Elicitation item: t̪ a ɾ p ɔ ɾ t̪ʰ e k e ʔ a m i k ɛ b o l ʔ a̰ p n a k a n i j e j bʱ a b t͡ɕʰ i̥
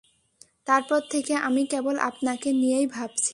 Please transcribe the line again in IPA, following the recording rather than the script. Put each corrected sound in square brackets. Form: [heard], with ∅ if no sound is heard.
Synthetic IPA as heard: t̪ a ɾ p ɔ ɾ t̪ʰ e k e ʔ a m i k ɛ b o l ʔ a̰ p n a k [e] n i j e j bʱ a b t͡ɕʰ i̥